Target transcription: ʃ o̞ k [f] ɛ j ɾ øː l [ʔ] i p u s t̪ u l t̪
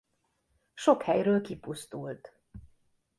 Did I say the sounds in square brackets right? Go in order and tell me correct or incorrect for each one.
incorrect, incorrect

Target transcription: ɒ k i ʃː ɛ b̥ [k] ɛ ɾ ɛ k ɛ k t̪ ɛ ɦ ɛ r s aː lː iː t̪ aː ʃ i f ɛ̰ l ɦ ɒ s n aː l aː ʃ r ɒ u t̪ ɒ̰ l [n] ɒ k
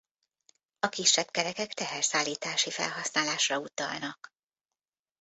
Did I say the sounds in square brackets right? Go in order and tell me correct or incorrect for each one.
correct, correct

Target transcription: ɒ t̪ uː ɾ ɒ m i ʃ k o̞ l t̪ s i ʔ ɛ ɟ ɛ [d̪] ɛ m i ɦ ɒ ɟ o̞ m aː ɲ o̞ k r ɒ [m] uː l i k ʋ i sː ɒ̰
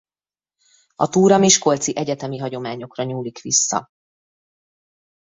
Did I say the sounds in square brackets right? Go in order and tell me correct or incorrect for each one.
incorrect, incorrect

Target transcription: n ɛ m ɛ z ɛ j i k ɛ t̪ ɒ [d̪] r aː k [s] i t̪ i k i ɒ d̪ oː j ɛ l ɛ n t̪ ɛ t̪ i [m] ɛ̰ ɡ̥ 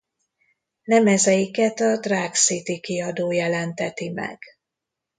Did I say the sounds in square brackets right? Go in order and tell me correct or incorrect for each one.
correct, correct, correct

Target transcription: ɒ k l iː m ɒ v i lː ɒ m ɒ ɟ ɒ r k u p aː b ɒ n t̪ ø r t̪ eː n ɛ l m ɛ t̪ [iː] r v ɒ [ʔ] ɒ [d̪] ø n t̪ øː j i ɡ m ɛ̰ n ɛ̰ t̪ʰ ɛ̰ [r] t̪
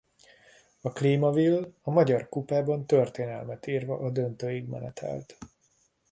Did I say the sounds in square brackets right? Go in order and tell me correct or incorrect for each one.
correct, correct, correct, incorrect

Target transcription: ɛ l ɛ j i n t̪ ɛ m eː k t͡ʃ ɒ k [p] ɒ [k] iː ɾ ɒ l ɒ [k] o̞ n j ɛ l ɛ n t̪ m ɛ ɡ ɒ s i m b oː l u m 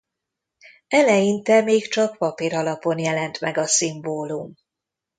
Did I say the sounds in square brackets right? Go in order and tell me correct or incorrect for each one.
correct, incorrect, incorrect

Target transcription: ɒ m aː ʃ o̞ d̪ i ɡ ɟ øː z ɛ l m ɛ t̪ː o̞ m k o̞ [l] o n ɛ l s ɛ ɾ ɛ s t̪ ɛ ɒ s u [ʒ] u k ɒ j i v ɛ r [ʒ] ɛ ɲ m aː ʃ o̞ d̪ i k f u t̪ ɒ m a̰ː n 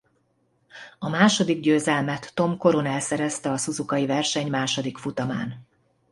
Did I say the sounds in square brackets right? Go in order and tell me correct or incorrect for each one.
incorrect, incorrect, incorrect

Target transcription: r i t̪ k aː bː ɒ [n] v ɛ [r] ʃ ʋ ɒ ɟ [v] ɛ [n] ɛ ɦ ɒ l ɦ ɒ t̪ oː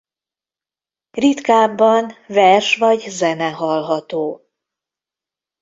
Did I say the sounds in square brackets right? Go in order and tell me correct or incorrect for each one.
correct, correct, incorrect, correct

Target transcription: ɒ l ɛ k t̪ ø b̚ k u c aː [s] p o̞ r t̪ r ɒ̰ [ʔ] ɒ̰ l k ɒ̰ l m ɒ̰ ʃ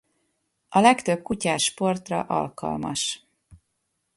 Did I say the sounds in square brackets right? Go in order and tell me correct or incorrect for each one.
incorrect, correct

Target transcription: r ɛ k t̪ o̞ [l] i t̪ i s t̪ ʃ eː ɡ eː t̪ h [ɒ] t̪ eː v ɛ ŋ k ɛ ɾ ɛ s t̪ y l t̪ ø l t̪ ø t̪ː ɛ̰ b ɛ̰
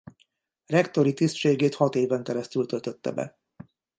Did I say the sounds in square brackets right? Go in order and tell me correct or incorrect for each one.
incorrect, correct

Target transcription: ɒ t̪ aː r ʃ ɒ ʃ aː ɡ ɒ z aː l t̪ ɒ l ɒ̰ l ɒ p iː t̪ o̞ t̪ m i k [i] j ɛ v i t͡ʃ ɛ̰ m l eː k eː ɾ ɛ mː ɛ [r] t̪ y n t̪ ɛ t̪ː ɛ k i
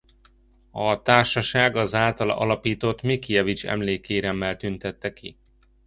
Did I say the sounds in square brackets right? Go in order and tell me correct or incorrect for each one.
correct, incorrect

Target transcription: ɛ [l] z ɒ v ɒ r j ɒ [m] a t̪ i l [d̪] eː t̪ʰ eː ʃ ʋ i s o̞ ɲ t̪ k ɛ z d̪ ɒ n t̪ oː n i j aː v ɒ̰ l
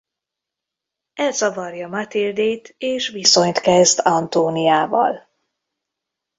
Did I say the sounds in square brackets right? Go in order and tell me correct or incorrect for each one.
correct, correct, correct

